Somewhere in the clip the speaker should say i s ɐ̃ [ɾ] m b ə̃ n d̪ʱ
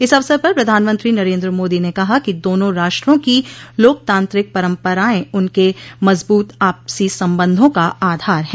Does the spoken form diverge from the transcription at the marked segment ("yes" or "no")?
yes